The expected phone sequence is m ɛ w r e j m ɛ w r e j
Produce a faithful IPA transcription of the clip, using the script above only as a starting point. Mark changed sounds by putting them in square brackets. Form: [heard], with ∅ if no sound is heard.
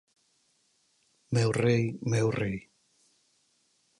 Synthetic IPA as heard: m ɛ w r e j m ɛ w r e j